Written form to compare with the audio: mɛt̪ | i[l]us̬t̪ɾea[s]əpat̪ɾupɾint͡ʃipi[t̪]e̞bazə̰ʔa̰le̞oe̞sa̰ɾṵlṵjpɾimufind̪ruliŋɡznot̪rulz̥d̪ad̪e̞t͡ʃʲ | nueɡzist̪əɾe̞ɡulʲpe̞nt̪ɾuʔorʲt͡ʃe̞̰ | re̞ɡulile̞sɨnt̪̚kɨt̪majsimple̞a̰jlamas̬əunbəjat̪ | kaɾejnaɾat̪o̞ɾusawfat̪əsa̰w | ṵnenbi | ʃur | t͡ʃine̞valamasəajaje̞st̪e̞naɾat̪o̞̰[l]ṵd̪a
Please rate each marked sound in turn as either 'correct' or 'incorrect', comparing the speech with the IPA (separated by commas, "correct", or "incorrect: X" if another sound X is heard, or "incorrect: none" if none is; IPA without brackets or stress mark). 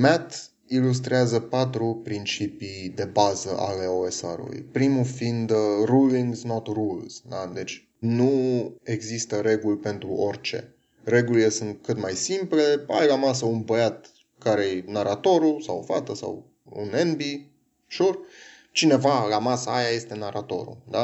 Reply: correct, incorrect: z, incorrect: d̪, incorrect: ɾ